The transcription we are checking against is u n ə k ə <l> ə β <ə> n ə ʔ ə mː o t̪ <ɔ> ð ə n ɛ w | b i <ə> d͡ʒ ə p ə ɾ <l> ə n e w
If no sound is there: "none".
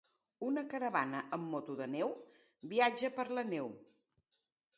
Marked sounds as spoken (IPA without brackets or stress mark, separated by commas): ɾ, a, u, a, l